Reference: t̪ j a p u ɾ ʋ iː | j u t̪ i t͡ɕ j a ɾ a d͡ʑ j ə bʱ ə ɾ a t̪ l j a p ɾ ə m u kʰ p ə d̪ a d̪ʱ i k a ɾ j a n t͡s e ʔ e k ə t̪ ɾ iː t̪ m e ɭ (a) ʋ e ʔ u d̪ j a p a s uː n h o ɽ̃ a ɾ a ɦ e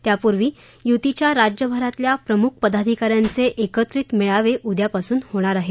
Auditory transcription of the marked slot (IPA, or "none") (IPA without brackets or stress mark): a